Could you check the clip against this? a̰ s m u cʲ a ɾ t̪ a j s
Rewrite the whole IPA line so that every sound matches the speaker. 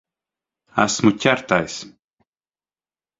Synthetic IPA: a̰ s m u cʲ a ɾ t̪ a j s

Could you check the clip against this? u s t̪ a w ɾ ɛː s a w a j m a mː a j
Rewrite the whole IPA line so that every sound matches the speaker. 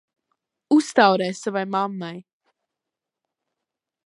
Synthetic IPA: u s t̪ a w ɾ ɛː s a v a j m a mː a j

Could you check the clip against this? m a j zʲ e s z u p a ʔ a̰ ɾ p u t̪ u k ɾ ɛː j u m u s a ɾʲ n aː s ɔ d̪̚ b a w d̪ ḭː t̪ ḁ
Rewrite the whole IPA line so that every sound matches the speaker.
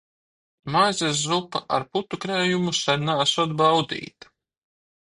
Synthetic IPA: m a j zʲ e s z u p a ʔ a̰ ɾ p u t̪ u k ɾ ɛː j u m u s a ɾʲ n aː s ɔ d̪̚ b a w d̪ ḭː t̪ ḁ

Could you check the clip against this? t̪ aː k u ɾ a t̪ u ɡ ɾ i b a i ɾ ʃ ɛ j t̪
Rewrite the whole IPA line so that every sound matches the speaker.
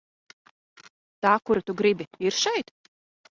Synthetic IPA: t̪ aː k u ɾ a t̪ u ɡ ɾ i b i i ɾ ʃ ɛ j t̪

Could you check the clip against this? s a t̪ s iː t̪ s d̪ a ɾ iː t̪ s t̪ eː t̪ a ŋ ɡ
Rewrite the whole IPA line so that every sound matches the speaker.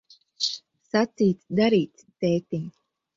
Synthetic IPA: s a t̪ s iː t̪ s d̪ a ɾ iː t̪ s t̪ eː t̪ i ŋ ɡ

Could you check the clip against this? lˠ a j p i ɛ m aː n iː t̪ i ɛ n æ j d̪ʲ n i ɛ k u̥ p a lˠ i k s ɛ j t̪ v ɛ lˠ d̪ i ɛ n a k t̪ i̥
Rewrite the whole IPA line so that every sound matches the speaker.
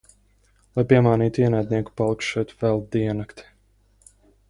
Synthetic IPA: lˠ a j p i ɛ m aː n iː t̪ i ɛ n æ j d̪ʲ n i ɛ k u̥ p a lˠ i k ʃ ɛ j t̪ v ɛ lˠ d̪ i ɛ n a k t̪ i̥

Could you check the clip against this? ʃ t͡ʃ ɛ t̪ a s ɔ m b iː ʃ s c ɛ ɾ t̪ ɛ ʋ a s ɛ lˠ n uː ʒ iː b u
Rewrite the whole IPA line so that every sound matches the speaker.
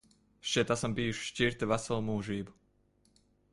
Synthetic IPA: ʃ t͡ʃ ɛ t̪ a s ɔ m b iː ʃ ʃ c i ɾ t̪ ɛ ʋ a s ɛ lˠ m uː ʒ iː b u

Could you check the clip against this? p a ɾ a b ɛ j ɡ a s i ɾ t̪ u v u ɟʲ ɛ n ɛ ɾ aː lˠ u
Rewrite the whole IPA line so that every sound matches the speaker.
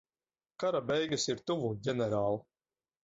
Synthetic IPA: k a ɾ a b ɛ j ɡ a s i ɾ t̪ u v u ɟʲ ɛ n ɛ ɾ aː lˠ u

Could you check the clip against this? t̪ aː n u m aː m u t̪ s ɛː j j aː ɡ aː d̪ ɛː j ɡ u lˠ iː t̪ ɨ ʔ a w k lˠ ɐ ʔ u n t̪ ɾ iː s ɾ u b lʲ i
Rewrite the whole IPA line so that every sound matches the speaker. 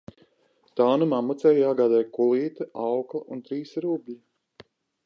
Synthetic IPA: t̪ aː n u m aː m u t̪ s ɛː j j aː ɡ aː d̪ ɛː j k u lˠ iː t̪ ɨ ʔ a w k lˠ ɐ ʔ u n t̪ ɾ iː s ɾ u b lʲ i

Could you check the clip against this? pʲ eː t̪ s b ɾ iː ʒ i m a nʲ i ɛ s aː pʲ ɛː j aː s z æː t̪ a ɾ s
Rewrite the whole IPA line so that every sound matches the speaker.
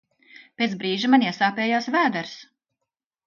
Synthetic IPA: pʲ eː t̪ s b ɾ iː ʒ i m a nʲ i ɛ s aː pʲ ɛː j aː s v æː d̪ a ɾ s

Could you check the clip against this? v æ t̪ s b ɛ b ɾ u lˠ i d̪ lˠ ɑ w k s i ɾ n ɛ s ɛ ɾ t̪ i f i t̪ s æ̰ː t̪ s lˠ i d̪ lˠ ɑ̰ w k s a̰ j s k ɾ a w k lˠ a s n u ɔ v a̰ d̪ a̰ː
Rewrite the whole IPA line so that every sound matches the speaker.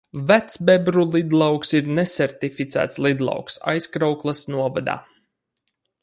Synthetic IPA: v æ t̪ s b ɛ b ɾ u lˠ i d̪ lˠ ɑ w k s i ɾ n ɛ s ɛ ɾ t̪ i f i t̪ s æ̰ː t̪ s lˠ i d̪ lˠ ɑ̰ w k s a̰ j s k ɾ a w k lˠ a s n u ɔ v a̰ d̪ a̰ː

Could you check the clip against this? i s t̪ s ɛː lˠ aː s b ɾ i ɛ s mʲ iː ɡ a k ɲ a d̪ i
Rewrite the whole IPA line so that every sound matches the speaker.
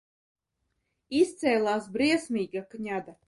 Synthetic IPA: i s t̪ s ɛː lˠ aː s b ɾ i ɛ s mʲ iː ɡ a k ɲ a d̪ a

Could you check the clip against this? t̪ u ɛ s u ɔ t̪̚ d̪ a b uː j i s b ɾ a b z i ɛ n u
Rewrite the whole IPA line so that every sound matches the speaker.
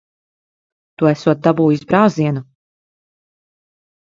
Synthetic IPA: t̪ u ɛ s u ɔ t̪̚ d̪ a b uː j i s b ɾ a w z i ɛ n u

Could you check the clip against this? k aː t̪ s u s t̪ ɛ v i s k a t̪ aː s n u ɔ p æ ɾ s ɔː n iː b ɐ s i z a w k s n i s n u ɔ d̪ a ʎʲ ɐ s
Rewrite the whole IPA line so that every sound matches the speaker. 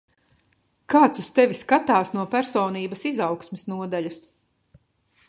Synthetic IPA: k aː t̪ s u s t̪ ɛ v i s k a t̪ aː s n u ɔ p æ ɾ s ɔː n iː b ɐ s i z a w k s m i s n u ɔ d̪ a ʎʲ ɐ s

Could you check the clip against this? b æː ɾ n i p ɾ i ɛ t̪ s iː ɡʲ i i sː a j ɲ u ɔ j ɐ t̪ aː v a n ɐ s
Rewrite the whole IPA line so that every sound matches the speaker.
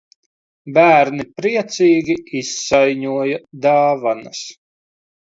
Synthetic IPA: b æː ɾ n i p ɾ i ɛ t̪ s iː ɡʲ i i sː a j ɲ u ɔ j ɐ d̪ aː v a n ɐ s

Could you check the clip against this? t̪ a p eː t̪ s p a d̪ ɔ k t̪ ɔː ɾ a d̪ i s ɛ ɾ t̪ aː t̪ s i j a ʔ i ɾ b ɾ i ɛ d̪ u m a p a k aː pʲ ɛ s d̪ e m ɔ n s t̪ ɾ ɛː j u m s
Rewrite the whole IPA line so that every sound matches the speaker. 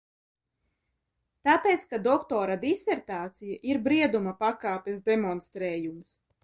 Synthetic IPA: t̪ a p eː t̪ s k a d̪ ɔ k t̪ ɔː ɾ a d̪ i s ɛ ɾ t̪ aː t̪ s i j a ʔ i ɾ b ɾ i ɛ d̪ u m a p a k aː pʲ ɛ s d̪ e m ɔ n s t̪ ɾ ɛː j u m s

